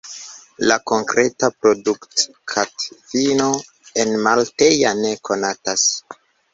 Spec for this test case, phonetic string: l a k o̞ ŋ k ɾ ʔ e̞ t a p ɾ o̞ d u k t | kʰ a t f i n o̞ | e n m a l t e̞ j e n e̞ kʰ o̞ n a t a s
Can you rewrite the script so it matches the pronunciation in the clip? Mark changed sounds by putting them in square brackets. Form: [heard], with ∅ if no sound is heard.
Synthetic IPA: l a k o̞ ŋ k ɾ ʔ e̞ t a p ɾ o̞ d u k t | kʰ a t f i n o̞ | e n m a l t e̞ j [a] n e̞ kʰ o̞ n a t a s